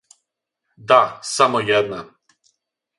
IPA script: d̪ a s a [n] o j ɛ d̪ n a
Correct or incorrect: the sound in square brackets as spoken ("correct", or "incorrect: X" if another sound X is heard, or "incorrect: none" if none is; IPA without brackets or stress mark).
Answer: incorrect: m